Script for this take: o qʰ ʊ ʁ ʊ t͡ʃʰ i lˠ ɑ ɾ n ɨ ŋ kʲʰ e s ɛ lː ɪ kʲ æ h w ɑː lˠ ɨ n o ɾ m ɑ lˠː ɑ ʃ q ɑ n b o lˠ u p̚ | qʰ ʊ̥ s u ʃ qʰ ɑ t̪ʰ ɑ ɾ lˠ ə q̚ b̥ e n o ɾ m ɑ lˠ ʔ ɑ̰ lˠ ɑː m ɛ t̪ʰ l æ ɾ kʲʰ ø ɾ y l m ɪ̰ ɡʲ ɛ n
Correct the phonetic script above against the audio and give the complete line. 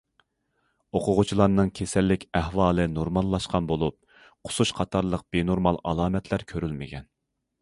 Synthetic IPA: o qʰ ʊ ʁ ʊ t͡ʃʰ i lˠ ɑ ɾ n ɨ ŋ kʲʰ e s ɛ lː ɪ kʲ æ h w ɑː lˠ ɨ n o ɾ m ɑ lˠː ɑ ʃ q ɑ n b o lˠ u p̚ | qʰ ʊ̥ s u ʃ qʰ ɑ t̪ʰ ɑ ɾ lˠ ə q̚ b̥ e n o ɾ m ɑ lˠ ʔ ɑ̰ lˠ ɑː m ɛ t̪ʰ l æ ɾ kʲʰ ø ɾ y l m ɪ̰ ɡʲ ɛ n